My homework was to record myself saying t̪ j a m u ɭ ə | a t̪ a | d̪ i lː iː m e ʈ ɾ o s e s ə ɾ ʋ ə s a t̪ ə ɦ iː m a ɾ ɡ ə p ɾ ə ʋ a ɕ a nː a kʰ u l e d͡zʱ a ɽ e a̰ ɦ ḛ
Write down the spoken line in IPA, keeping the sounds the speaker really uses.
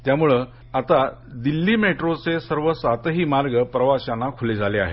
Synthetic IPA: t̪ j a m u ɭ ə | a t̪ a | d̪ i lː iː m e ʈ ɾ o t͡s e s ə ɾ ʋ ə s a t̪ ə ɦ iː m a ɾ ɡ ə p ɾ ə ʋ a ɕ a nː a kʰ u l e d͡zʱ a l e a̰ ɦ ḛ